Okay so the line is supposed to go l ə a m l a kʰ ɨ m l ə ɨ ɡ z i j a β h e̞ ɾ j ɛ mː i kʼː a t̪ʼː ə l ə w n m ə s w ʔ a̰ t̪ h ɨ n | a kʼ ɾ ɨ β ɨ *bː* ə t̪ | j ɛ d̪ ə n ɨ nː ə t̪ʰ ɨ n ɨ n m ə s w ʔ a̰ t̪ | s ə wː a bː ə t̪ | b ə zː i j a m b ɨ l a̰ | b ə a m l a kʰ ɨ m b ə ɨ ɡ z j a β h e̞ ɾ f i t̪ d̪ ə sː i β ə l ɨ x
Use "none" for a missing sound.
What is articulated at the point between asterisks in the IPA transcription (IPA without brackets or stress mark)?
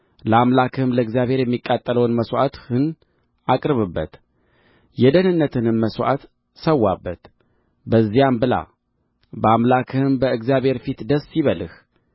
bː